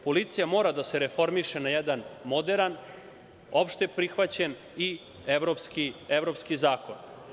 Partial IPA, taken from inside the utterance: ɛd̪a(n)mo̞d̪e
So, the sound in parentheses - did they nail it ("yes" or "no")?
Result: yes